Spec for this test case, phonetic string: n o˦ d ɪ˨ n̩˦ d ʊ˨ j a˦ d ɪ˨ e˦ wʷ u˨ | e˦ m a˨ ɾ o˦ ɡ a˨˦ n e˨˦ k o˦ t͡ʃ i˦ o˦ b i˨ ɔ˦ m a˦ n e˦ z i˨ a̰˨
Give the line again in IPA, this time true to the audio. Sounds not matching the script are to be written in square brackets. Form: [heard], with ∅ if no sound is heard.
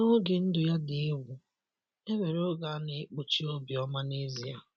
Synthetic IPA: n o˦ [ɡ] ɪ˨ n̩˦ d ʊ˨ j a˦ d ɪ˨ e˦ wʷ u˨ | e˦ m [e˨] ɾ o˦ ɡ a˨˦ n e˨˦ [k͡p] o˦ t͡ʃ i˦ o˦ b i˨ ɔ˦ m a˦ n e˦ z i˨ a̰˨